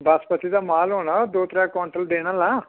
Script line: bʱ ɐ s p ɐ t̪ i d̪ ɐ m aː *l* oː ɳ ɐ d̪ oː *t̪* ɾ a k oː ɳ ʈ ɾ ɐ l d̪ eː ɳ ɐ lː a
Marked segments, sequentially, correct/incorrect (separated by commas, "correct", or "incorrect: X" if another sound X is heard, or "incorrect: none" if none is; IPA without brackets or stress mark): correct, correct